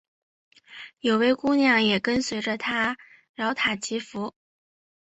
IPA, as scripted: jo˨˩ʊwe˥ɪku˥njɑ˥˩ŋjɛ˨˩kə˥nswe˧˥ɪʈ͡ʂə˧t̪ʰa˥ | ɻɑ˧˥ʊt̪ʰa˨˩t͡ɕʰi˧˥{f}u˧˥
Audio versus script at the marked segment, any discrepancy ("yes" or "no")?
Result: no